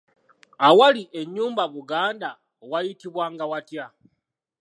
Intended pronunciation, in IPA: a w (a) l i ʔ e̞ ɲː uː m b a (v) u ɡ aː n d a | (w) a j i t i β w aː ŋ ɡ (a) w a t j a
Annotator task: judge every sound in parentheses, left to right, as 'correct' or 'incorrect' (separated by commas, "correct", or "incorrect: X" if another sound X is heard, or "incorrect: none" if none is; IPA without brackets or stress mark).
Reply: correct, incorrect: β, correct, correct